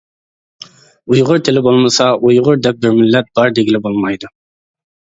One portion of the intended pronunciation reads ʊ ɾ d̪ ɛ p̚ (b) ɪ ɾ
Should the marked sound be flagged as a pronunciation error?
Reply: no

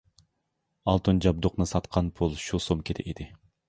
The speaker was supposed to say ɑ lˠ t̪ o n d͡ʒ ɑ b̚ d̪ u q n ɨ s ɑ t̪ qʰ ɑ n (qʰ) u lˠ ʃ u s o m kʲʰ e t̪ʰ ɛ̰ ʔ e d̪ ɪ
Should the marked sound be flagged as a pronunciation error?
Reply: yes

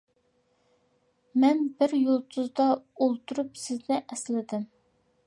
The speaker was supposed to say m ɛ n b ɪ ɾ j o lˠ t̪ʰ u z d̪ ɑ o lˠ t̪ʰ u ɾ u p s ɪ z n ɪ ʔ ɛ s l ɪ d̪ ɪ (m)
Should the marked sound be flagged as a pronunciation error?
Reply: no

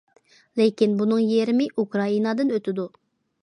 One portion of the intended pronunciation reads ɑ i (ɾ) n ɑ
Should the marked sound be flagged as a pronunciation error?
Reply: yes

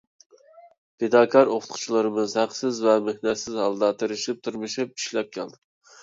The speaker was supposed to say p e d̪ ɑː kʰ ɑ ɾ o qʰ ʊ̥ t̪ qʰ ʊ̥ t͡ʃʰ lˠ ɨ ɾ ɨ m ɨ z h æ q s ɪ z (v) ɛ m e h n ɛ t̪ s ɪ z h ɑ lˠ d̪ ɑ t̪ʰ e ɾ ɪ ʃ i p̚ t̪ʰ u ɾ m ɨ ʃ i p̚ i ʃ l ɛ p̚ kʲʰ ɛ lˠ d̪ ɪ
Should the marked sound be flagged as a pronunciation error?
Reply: no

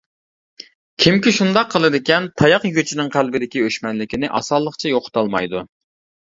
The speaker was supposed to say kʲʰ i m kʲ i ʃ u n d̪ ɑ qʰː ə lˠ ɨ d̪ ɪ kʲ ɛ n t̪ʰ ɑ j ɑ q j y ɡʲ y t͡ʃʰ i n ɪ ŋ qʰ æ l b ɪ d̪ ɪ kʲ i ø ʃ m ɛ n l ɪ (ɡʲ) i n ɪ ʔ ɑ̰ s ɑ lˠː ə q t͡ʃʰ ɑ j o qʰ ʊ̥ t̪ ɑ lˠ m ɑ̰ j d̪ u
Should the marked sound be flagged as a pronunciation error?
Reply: yes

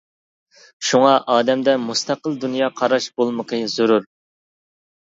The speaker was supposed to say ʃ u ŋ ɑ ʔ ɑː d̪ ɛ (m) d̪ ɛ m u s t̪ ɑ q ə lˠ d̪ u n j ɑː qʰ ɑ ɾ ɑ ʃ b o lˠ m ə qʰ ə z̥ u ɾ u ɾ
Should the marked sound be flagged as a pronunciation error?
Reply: no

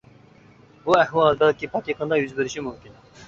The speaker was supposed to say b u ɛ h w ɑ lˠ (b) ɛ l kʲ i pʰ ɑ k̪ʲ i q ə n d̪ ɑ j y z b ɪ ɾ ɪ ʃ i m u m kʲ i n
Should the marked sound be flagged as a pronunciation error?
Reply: no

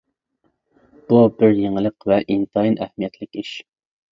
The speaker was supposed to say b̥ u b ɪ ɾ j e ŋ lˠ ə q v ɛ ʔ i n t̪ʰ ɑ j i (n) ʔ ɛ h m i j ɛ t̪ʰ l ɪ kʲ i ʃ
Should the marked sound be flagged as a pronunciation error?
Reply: no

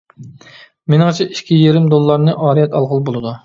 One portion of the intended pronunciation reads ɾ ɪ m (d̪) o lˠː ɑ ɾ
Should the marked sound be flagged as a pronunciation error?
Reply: no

